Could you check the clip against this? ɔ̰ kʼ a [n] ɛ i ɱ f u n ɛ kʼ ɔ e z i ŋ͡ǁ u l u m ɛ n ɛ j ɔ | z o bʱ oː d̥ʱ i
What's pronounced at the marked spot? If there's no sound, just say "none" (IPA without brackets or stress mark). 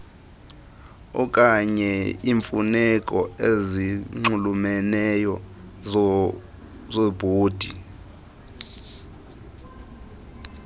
ɲ